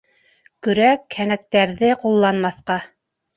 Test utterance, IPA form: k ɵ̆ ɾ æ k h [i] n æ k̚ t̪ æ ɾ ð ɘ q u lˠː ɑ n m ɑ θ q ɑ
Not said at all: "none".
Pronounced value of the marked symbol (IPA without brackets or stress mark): æ